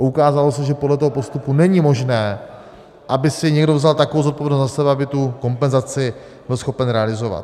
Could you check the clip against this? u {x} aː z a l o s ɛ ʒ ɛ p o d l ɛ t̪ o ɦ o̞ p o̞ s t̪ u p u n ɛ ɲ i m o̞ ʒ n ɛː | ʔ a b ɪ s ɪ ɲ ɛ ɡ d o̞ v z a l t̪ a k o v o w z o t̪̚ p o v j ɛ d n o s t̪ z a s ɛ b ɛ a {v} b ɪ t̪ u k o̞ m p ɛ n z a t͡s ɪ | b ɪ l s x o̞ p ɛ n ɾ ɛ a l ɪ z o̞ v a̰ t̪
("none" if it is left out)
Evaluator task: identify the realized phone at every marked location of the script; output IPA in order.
k, none

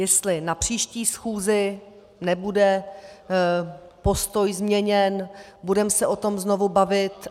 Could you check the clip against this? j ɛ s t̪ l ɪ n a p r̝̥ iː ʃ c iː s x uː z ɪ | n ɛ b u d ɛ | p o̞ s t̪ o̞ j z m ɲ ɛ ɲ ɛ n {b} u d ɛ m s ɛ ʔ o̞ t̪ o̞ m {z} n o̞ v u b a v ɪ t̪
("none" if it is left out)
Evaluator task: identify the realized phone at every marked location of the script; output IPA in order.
b, z

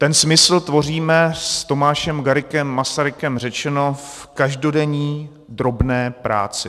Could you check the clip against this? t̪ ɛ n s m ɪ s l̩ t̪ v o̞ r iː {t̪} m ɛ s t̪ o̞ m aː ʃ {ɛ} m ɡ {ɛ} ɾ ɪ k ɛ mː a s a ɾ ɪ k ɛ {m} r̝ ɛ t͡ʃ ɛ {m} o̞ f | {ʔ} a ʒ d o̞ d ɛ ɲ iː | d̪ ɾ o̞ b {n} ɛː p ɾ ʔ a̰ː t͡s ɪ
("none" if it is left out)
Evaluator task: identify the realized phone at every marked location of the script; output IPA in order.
none, ɛ, a, m, n, k, n

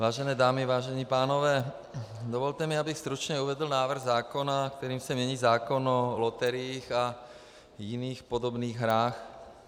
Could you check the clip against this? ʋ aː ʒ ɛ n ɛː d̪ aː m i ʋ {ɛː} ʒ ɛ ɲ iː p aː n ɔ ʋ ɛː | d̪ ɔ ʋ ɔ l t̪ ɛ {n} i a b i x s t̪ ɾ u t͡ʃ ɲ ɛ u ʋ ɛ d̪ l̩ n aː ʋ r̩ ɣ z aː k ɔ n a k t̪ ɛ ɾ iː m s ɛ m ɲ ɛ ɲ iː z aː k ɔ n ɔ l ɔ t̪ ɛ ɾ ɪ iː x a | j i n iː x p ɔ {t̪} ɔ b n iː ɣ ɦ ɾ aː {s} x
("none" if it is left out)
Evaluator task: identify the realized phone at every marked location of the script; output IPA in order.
aː, m, d̪, none

